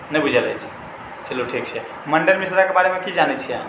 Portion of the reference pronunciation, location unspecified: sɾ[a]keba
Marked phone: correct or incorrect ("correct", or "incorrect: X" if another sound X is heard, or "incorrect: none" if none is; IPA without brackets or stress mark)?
correct